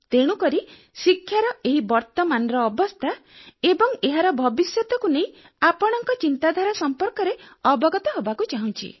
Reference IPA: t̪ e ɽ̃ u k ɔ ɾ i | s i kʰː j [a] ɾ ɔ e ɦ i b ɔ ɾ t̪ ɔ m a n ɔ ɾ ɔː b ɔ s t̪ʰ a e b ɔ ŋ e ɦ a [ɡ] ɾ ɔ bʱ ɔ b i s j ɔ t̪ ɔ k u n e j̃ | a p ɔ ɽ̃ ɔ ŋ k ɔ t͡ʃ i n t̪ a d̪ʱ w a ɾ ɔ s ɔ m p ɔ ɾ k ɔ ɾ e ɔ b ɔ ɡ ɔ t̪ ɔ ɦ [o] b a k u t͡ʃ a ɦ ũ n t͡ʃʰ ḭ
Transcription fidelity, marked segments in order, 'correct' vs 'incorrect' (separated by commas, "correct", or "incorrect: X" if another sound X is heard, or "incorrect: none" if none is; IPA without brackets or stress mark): correct, incorrect: none, correct